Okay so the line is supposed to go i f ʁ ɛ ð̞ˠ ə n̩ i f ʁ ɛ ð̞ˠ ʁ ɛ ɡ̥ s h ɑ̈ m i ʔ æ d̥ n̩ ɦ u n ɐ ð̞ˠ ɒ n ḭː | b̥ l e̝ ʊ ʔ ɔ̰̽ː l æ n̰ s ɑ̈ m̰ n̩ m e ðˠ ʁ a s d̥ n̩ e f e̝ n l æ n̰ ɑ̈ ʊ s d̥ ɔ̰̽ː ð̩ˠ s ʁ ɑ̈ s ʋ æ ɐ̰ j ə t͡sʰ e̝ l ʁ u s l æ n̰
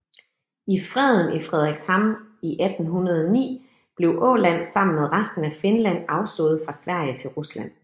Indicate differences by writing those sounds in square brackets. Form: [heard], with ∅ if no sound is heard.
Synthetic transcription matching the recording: i f ʁ ɛ ð̞ˠ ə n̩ i f ʁ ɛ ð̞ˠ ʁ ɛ ɡ̥ s h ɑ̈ m i ʔ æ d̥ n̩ ɦ u n ɐ ð̞ˠ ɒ n ḭː | b̥ l e̝ ʊ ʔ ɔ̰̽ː l æ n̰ s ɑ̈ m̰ n̩ m e ðˠ ʁ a s d̥ n̩ [æ] f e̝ n l æ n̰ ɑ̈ ʊ s d̥ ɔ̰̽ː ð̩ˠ [f] ʁ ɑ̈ s ʋ æ ɐ̰ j ə t͡sʰ e̝ l ʁ u s l æ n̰